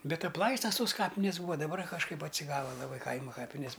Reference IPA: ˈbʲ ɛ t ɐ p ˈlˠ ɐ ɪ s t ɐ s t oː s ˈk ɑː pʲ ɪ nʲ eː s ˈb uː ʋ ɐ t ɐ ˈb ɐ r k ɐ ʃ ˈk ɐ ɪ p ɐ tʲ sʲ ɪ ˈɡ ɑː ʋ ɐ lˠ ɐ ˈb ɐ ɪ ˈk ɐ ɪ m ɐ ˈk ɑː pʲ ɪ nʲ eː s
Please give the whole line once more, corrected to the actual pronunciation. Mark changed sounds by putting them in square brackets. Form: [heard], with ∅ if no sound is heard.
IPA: ˈbʲ ɛ t ɐ p ˈlˠ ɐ ɪ s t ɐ s t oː s ˈk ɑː pʲ ɪ nʲ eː s ˈb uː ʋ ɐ [d] ɐ ˈb ɐ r k ɐ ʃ ˈk ɐ ɪ p ɐ tʲ sʲ ɪ ˈɡ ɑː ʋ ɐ lˠ ɐ ˈb ɐ ɪ ˈk ɐ ɪ m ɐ ˈk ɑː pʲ ɪ nʲ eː s